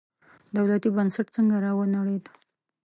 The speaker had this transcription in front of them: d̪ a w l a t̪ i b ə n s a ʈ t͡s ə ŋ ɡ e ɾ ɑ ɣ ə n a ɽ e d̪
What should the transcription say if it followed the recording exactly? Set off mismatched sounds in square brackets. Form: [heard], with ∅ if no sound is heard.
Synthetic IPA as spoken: d̪ a w l a t̪ i b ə n s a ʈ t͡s ə ŋ ɡ [a] ɾ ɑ [w] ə n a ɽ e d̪